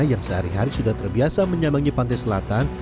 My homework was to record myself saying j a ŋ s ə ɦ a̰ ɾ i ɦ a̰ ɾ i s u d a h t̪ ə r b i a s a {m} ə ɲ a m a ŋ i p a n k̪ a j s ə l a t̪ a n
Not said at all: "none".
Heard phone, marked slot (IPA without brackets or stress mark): m